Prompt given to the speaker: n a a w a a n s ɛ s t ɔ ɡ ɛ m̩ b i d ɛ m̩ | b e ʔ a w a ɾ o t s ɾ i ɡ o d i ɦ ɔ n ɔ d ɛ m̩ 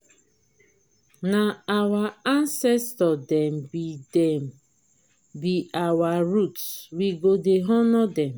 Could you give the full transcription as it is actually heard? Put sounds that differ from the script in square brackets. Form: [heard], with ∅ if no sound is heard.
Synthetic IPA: n a a w a a n s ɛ s t ɔ [d] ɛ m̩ b i d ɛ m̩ | b [i] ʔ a w a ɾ [u] t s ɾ i ɡ o d [e] ɦ ɔ n ɔ d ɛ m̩